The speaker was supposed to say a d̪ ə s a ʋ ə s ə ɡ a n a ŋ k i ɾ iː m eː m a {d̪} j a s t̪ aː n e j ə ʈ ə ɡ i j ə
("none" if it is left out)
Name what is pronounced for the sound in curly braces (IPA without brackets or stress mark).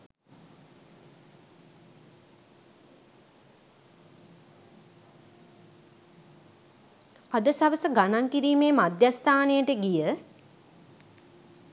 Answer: d̪